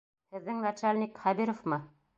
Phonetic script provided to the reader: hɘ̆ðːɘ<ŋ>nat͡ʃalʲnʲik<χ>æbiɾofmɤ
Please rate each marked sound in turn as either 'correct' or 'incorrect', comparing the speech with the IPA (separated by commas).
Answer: correct, correct